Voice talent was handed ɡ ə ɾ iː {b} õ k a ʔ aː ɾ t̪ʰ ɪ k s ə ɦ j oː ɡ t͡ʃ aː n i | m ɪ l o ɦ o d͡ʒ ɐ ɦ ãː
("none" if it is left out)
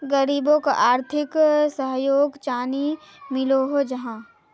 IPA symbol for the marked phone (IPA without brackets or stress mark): b